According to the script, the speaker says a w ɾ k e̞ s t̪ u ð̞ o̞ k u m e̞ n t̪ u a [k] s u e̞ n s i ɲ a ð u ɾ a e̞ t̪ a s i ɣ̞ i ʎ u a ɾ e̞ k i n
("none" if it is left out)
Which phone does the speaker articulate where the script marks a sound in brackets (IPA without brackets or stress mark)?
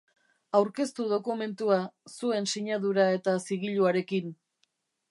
none